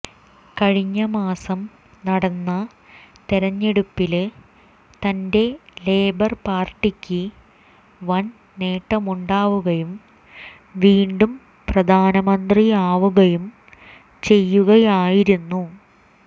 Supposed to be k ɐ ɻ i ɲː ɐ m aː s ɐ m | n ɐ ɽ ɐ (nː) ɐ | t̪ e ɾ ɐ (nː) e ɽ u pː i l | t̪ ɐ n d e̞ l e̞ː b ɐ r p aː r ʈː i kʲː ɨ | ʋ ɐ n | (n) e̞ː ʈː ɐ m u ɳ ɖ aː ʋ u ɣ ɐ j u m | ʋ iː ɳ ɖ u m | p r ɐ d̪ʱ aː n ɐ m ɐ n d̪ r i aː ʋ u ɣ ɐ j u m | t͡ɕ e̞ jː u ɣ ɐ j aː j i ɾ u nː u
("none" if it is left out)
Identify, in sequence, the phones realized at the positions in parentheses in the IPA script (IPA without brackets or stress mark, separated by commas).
nː, ɲː, n